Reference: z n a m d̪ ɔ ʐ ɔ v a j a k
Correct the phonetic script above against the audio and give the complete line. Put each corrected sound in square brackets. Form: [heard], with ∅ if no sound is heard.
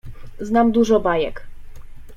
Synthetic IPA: z n a m d̪ [u] ʐ ɔ [b] a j [ɛ] k